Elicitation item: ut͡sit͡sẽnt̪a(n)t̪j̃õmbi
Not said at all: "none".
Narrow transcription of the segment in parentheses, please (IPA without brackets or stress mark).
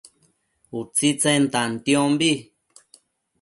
n